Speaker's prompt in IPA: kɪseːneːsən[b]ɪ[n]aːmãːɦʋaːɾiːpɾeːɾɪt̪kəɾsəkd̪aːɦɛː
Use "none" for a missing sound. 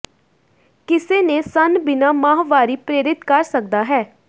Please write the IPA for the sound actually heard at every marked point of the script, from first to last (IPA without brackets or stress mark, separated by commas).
b, n